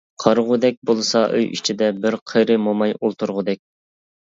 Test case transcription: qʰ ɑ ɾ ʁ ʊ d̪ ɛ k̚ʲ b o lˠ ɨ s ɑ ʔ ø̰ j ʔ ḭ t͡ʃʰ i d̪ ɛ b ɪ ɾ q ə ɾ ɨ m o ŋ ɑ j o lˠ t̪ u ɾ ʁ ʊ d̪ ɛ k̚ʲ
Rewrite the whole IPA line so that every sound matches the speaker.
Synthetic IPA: qʰ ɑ ɾ ʁ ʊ d̪ ɛ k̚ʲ b o lˠ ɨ s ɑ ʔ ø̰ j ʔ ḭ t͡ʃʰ i d̪ ɛ b ɪ ɾ qʰ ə ɾ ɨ m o m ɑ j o lˠ t̪ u ɾ ʁ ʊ d̪ ɛ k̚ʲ